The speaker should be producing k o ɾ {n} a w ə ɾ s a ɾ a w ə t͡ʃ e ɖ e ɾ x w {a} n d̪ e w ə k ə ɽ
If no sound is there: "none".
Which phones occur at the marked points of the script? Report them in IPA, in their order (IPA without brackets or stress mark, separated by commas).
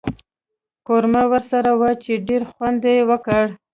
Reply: m, a